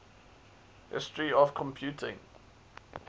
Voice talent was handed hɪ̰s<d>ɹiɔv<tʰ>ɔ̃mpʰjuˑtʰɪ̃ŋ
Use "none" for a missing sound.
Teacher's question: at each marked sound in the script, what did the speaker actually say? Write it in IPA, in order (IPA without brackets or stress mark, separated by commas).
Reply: t, kʰ